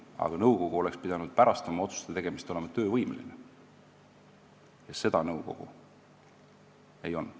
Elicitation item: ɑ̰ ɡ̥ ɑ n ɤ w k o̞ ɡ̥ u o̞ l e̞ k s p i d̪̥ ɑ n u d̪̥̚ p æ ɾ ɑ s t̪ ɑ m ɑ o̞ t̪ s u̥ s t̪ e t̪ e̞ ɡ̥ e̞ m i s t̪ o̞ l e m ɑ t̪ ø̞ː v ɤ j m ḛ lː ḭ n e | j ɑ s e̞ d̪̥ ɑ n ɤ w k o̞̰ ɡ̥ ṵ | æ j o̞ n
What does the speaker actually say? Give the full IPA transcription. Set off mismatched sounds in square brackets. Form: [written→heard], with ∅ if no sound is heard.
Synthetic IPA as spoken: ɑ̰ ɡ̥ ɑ n ɤ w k o̞ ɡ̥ u o̞ l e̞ k s p i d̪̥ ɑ n u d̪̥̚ p æ ɾ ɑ s t̪ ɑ m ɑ o̞ t̪ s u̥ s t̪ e t̪ e̞ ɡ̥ e̞ m i s t̪ o̞ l e m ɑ t̪ ø̞ː v ɤ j m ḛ [lː→l] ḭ n e | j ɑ s e̞ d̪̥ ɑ n ɤ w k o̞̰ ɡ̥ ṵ | [æ→e] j o̞ n